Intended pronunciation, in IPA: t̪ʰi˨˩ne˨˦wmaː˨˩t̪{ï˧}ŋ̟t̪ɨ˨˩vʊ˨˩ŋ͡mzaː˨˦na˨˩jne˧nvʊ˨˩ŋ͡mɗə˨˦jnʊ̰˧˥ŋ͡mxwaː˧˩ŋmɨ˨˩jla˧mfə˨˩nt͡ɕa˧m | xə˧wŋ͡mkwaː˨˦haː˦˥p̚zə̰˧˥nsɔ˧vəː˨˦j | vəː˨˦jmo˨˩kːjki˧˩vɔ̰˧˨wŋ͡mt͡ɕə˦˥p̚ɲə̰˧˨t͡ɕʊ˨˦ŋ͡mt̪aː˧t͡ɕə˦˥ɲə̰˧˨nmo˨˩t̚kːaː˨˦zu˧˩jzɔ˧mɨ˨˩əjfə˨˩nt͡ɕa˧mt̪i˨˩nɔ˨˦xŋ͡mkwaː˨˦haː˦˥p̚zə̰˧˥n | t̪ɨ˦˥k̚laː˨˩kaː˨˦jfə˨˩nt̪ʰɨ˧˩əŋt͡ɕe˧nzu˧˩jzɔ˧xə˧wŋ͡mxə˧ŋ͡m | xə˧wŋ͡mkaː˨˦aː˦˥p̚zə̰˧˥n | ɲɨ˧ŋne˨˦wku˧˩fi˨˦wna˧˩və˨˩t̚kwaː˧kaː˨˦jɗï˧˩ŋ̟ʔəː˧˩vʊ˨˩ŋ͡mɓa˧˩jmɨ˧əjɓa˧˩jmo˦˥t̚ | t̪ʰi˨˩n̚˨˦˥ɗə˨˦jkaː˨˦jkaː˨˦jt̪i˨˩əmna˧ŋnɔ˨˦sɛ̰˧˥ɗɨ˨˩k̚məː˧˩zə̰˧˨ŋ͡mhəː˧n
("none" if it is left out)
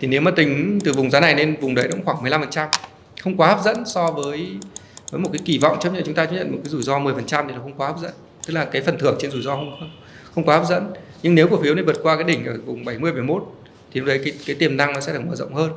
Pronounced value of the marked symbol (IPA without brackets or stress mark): ï˨˩